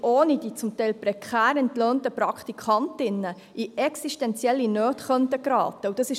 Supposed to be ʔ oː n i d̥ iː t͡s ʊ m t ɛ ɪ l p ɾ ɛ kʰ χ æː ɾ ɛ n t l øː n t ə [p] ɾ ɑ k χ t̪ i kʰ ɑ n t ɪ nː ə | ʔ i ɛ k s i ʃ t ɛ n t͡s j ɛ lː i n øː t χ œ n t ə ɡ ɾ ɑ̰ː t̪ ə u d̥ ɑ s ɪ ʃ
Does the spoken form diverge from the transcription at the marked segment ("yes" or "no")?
no